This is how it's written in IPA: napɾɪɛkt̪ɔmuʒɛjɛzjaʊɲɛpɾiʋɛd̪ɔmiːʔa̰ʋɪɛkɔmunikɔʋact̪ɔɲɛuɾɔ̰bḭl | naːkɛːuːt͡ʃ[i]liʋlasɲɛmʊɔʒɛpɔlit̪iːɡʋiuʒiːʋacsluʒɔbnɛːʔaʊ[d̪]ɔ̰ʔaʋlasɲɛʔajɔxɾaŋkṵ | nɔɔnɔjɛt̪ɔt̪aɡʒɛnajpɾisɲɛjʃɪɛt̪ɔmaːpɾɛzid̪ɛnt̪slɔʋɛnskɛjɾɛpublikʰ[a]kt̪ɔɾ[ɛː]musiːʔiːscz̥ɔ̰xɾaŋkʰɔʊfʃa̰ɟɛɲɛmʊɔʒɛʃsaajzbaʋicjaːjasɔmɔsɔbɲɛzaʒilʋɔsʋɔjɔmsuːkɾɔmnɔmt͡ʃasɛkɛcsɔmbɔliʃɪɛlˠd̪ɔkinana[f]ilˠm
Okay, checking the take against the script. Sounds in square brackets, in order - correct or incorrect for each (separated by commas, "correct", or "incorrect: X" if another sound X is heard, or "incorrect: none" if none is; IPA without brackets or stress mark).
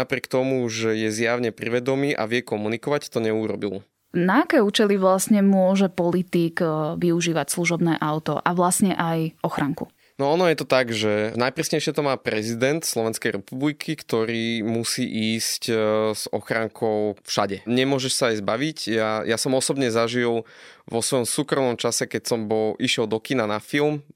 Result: incorrect: ɛ, incorrect: t̪, incorrect: i, incorrect: iː, correct